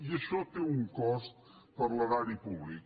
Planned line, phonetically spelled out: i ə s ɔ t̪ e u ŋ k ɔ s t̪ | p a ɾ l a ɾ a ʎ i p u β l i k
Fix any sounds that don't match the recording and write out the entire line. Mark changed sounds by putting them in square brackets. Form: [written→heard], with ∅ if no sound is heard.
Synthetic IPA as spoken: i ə [s→ʃ] ɔ t̪ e u ŋ k ɔ s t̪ | p [a→ə] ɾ l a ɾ a [ʎ→ɾ] i p u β l i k